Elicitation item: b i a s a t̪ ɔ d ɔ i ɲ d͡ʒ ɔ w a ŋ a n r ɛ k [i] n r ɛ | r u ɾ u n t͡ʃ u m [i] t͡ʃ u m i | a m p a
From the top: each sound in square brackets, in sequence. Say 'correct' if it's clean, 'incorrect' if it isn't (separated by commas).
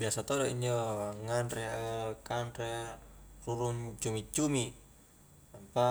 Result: incorrect, correct